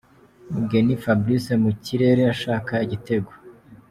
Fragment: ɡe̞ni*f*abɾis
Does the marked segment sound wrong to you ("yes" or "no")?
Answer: no